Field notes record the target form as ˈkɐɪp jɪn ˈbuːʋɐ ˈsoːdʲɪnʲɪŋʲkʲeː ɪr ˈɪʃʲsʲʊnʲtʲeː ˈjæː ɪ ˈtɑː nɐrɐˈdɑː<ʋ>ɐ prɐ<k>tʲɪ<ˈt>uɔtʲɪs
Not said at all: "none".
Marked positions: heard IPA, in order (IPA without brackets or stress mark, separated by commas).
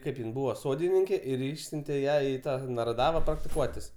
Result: ʋ, k, k